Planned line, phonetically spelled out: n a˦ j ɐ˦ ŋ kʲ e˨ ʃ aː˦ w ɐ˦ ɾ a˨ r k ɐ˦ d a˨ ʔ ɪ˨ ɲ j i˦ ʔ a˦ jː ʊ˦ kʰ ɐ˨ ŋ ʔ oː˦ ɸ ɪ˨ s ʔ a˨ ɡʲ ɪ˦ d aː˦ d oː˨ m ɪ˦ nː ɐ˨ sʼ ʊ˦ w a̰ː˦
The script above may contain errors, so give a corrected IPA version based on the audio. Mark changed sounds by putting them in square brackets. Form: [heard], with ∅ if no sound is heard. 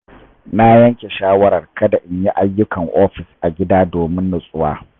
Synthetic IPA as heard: n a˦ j ɐ˦ ŋ kʲ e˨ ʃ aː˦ w ɐ˦ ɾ [ɐ˨] r k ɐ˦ d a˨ ʔ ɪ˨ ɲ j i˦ ʔ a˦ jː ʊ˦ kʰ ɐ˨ ŋ ʔ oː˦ ɸ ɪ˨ s ʔ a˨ ɡʲ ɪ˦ d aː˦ d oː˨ m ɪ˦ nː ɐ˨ sʼ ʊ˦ w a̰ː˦